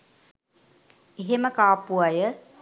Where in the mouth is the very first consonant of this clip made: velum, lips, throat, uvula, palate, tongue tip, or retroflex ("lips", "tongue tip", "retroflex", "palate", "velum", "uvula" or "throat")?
throat